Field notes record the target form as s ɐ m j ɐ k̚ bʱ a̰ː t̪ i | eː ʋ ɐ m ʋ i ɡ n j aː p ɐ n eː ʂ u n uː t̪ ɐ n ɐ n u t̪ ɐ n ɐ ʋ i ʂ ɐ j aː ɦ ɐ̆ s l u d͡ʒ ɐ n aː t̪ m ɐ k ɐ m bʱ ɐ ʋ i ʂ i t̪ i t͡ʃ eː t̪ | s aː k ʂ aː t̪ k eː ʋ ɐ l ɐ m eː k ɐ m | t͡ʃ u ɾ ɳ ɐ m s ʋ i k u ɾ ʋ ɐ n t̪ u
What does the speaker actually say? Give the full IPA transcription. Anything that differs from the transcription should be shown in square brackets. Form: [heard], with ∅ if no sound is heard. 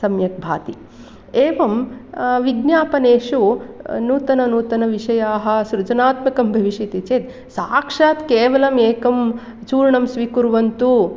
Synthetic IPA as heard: s ɐ m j ɐ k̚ bʱ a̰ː t̪ i | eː ʋ ɐ m ʋ i ɡ n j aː p ɐ n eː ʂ u n uː t̪ ɐ n ɐ n [uː] t̪ ɐ n ɐ ʋ i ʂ ɐ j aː ɦ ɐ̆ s [ɾ] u d͡ʒ ɐ n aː t̪ m ɐ k ɐ m bʱ ɐ ʋ i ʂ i t̪ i t͡ʃ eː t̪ | s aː k ʂ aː t̪ k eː ʋ ɐ l ɐ m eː k ɐ m | t͡ʃ [uː] ɾ ɳ ɐ m s ʋ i k u ɾ ʋ ɐ n t̪ u